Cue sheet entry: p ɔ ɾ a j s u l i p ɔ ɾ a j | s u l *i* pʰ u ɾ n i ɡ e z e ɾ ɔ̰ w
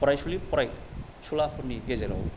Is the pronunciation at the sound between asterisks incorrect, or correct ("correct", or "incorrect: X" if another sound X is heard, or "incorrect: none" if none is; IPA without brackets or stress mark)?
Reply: incorrect: a